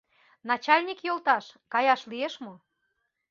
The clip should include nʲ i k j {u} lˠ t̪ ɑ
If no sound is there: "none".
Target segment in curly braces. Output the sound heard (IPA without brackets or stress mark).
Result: o